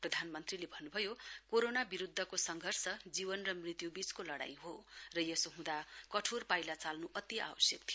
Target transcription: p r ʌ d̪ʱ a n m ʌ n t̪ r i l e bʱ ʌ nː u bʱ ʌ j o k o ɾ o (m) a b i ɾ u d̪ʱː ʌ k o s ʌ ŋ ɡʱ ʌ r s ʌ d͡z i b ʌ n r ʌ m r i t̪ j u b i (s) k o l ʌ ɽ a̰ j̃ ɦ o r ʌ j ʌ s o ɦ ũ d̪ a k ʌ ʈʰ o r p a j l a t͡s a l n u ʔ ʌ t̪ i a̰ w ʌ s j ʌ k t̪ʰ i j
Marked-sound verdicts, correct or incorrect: incorrect: n, incorrect: t͡s

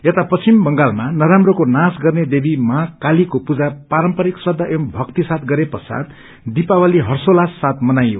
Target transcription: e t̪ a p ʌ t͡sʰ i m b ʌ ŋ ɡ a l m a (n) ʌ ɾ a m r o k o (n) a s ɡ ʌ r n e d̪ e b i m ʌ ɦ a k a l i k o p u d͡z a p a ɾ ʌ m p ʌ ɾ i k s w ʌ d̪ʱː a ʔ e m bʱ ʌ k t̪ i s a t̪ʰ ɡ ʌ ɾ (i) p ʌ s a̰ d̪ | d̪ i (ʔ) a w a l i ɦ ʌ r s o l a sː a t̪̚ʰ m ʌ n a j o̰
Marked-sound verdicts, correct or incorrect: correct, correct, incorrect: e, incorrect: p

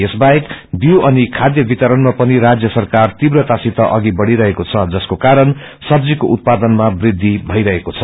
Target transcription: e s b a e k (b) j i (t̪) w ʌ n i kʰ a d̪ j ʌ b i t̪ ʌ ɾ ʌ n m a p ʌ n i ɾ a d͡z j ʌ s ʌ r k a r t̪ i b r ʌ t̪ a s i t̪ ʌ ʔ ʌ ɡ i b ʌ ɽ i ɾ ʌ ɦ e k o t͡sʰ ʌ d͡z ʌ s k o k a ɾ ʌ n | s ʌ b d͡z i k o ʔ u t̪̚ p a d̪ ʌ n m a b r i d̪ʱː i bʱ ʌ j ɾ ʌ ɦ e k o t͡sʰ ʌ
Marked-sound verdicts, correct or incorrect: correct, incorrect: none

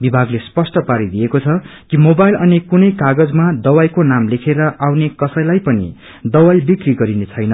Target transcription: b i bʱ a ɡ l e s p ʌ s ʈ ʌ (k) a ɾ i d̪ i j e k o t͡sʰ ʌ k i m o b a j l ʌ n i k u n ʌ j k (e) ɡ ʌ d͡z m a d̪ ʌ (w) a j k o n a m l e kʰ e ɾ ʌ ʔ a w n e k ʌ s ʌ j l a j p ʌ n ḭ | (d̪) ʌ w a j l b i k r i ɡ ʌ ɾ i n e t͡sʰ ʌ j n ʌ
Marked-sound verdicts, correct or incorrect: incorrect: p, incorrect: a, correct, correct

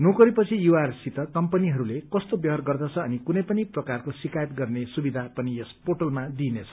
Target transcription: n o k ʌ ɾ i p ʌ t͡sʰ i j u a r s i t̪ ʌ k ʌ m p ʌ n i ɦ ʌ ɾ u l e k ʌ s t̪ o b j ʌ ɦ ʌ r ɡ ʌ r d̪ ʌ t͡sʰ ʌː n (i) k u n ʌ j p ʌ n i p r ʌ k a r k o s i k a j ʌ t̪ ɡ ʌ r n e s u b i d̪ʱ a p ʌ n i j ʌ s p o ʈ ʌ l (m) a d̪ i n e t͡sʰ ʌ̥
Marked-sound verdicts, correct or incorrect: correct, correct

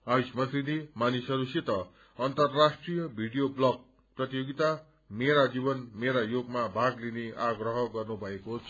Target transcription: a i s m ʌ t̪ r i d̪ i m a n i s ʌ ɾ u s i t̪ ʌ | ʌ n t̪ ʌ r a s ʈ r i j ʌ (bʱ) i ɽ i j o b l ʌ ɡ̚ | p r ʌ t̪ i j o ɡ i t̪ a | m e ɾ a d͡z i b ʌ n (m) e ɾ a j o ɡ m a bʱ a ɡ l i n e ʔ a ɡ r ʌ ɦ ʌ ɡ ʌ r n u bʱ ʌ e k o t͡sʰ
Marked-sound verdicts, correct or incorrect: correct, correct

